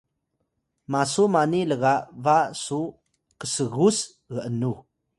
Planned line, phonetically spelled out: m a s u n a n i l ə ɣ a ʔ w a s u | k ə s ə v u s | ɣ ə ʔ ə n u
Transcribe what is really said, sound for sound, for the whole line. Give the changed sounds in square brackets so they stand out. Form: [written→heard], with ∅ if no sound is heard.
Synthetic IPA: m a s u [n→m] a n i l ə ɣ a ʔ [w→v] a s u | k ə s ə [v→ɣ] u s | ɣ ə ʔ ə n u